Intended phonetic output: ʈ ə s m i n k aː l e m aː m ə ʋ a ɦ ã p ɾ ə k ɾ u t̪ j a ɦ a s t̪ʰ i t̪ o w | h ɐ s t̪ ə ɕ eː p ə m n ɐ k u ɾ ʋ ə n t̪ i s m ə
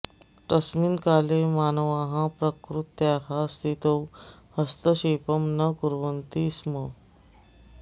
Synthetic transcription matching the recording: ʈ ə s m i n k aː l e m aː n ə ʋ a ɦ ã p ɾ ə k ɾ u t̪ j a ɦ a s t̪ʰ i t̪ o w | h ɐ s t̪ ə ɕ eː p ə m n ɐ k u ɾ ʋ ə n t̪ i s m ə

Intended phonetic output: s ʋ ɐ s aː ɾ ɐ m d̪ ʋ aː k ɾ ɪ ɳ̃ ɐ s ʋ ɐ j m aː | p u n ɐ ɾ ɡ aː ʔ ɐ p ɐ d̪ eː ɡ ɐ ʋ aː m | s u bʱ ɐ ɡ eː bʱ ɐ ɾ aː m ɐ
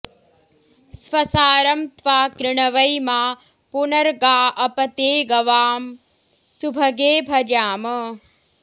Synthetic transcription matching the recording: s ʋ ɐ s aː ɾ ɐ m t̪ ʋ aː k ɾ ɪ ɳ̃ ɐ ʋ ɐ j m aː | p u n ɐ ɾ ɡ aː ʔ ɐ p ɐ t̪ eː ɡ ɐ ʋ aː m | s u bʱ ɐ ɡ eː bʱ ɐ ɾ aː m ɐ

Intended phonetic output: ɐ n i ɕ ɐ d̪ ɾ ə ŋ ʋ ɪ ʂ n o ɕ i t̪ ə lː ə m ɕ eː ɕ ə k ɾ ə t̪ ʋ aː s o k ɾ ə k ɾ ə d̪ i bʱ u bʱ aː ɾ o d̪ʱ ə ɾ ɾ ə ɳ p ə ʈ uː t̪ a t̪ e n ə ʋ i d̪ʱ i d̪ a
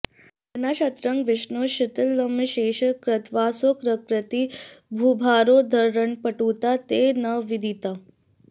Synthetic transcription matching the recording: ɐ n a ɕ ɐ t̪ ɾ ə ŋ ʋ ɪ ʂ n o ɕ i t̪ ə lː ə m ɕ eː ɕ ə k ɾ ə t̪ ʋ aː s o k ɾ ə k ɾ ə t̪ i bʱ u bʱ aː ɾ o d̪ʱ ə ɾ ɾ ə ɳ p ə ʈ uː t̪ a t̪ e n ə ʋ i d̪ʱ i t̪ a

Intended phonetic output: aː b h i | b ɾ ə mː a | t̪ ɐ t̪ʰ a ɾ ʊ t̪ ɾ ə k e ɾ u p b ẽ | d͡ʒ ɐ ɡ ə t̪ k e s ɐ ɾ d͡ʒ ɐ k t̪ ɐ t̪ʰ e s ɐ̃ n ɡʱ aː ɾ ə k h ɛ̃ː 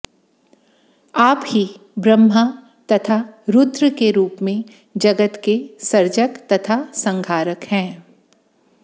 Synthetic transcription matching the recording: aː p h i | b ɾ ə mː a | t̪ ɐ t̪ʰ a ɾ ʊ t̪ ɾ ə k e ɾ uː p m ẽ | d͡ʒ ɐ ɡ ə t̪ k e s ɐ ɾ d͡ʒ ə k t̪ ɐ t̪ʰ a s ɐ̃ ŋ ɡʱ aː ɾ ə k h ɛ̃ː

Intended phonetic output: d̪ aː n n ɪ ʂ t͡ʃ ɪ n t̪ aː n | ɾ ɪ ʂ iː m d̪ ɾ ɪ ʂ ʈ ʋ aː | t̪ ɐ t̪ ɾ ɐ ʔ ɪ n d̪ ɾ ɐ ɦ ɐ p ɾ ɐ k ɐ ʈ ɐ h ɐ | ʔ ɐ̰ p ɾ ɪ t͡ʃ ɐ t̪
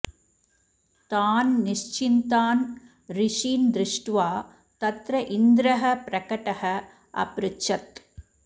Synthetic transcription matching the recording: t̪ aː n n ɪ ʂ t͡ʃ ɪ n t̪ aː n | ɾ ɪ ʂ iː n d̪ ɾ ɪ ʂ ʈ ʋ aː | t̪ ɐ t̪ ɾ ɐ ʔ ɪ n d̪ ɾ ɐ ɦ ɐ p ɾ ɐ k ɐ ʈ ɐ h ɐ | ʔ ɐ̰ p ɾ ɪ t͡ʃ ɐ t̪

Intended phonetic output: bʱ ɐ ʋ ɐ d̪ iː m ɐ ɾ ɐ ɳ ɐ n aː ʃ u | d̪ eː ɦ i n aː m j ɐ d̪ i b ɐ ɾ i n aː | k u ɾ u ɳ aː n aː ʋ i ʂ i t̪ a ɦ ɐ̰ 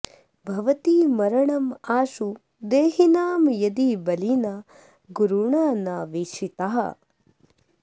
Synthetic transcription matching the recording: bʱ ɐ ʋ ɐ t̪ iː m ɐ ɾ ɐ ɳ ɐ m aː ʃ u | d̪ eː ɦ i n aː m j ɐ d̪ i b ɐ l i n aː | ɡ u ɾ u ɳ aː n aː ʋ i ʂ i t̪ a ɦ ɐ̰

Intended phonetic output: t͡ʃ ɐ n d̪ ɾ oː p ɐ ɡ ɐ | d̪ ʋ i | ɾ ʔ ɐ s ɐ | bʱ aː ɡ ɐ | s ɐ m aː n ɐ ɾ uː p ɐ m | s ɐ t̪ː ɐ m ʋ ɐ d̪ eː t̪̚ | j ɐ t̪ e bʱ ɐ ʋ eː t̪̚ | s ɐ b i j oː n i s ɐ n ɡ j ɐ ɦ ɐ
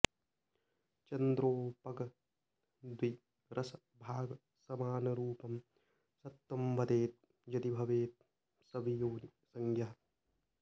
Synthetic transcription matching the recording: t͡ʃ ɐ n d̪ ɾ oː p ɐ ɡ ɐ | d̪ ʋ i | ɾ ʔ ɐ s ɐ | bʱ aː ɡ ɐ | s ɐ m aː n ɐ ɾ uː p ɐ m | s ɐ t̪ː ɐ m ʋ ɐ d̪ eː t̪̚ | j ɐ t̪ i bʱ ɐ ʋ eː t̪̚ | s ɐ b i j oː n i s ɐ ŋ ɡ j ɐ ɦ ɐ

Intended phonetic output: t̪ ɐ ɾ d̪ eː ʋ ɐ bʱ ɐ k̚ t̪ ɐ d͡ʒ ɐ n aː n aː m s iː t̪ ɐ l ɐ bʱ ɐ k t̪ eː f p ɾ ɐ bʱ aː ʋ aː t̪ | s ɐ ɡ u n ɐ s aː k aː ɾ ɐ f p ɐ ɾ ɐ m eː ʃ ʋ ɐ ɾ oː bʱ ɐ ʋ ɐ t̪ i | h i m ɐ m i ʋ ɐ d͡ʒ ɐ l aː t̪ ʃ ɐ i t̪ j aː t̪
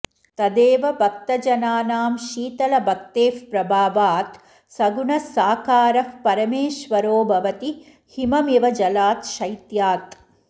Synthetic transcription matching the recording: t̪ ɐ d̪ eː ʋ ɐ bʱ ɐ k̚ t̪ ɐ d͡ʒ ɐ n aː n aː m ʃ iː t̪ ɐ l ɐ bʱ ɐ k t̪ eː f p ɾ ɐ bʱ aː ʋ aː t̪ | s ɐ ɡ u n ɐ s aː k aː ɾ ɐ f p ɐ ɾ ɐ m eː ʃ ʋ ɐ ɾ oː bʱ ɐ ʋ ɐ t̪ i | h i m ɐ m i ʋ ɐ d͡ʒ ɐ l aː t̪ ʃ ɐ j t̪ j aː t̪

